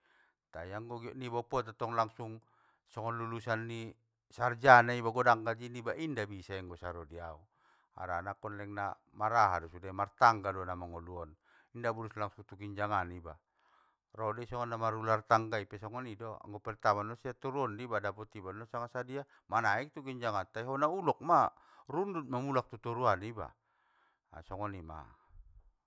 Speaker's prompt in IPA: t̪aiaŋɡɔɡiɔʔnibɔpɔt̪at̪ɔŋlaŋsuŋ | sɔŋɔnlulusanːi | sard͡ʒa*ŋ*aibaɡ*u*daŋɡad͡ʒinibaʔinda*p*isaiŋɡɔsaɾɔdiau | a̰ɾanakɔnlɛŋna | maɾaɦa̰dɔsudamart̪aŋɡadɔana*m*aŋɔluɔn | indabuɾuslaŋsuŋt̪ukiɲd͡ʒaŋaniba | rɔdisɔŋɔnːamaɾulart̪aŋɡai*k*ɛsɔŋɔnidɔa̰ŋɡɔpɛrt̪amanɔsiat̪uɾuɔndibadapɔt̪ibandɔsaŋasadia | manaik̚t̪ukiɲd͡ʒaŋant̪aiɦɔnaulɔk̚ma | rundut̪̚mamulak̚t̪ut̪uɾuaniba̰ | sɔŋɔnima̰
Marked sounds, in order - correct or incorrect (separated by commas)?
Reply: incorrect, incorrect, incorrect, correct, incorrect